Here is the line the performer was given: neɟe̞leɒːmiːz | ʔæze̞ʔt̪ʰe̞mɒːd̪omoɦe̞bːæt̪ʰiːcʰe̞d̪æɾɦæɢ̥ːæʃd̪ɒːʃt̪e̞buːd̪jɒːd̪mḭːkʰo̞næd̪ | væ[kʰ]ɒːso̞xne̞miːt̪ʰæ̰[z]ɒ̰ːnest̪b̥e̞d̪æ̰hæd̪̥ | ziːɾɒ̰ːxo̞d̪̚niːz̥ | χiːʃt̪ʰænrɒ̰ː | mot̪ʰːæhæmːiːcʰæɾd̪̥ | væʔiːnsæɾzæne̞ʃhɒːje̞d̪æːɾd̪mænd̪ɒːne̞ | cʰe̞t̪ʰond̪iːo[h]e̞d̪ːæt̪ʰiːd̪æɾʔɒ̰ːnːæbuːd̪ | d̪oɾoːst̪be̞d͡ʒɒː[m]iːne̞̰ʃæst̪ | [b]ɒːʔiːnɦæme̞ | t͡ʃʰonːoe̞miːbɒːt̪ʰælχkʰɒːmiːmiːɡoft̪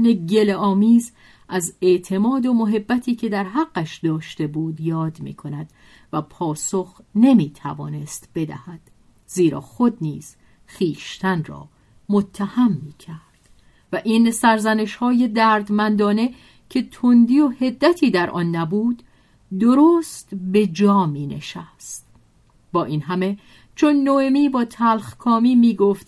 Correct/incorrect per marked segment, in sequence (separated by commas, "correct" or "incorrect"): incorrect, incorrect, correct, correct, correct